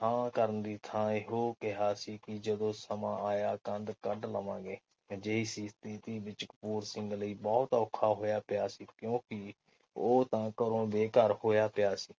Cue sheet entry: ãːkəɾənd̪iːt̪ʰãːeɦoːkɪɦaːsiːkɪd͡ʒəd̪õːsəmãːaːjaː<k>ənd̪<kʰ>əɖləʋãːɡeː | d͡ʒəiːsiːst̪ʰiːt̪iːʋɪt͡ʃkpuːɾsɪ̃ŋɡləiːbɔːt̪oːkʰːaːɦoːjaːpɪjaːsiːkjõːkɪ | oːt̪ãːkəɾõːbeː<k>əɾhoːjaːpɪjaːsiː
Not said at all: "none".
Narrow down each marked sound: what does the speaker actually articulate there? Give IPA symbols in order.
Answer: k, k, k

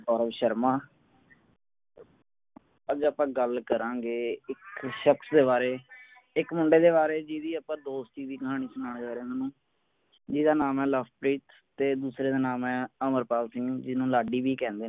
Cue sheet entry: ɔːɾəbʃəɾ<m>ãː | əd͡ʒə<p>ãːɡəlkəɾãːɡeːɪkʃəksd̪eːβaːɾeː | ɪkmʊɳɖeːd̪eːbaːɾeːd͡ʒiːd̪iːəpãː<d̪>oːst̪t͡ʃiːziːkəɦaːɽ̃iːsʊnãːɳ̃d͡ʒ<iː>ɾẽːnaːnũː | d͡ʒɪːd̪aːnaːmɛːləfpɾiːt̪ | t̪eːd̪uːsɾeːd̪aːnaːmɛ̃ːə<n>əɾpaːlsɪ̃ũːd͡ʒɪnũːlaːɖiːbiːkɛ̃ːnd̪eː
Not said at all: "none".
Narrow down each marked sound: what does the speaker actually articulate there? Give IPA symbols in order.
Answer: m, p, d̪, aː, m

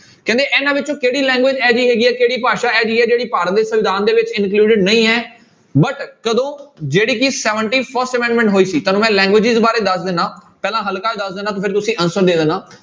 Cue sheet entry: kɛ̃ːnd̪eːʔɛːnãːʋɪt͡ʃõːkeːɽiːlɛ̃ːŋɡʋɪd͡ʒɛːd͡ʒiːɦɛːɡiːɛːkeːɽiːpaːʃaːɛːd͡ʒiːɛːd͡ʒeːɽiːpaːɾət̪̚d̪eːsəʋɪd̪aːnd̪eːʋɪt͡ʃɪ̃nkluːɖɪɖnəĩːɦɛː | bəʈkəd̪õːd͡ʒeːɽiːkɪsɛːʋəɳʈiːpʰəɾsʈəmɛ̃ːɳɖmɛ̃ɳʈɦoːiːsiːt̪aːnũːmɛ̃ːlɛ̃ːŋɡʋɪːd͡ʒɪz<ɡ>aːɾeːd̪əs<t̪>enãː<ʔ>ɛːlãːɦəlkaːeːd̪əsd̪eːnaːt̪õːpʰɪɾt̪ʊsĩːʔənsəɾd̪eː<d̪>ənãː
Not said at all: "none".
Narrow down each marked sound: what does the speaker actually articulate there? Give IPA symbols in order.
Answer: b, d̪, p, d̪

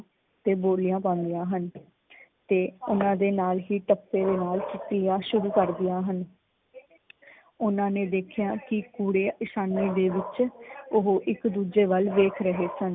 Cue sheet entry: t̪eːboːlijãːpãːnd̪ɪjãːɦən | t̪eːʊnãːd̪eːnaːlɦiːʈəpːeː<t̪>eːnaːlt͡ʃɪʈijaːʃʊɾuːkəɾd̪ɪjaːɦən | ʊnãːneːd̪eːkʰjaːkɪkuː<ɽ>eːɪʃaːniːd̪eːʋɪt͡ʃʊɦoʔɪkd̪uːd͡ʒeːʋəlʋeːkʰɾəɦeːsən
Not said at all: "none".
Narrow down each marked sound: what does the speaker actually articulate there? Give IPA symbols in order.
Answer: d̪, ɽ

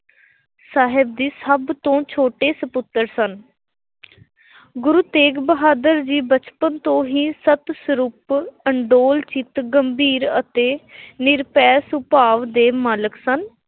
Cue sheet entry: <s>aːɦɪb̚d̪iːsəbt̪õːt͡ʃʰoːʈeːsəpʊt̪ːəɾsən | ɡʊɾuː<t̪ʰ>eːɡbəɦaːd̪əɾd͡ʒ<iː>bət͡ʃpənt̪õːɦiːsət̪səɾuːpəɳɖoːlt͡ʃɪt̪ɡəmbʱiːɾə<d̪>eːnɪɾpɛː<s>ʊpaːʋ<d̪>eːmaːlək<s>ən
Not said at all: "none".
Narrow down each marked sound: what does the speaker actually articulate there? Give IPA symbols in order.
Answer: s, t̪, iː, t̪, s, d̪, s

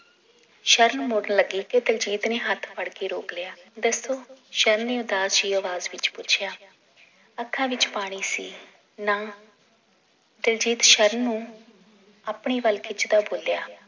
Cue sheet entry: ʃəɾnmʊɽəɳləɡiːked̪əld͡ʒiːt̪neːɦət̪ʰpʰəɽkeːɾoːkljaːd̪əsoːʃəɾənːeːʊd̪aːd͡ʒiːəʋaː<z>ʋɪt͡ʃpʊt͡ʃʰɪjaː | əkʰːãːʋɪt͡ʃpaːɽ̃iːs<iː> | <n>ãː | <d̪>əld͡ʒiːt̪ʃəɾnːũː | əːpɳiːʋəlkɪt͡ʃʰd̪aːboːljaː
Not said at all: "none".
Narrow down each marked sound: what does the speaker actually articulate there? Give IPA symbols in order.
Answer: z, iː, n, d̪

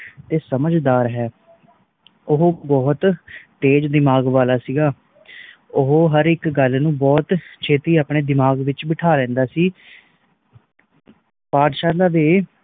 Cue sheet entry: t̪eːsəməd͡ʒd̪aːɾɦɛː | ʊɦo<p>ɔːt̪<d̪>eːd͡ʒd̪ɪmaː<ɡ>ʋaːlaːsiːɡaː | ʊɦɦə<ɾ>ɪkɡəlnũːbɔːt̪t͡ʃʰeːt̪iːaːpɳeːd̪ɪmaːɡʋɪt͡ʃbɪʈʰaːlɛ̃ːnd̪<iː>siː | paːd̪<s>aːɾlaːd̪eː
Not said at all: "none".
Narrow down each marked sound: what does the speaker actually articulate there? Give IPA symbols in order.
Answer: b, t̪, ɡ, ɾ, aː, ʃ

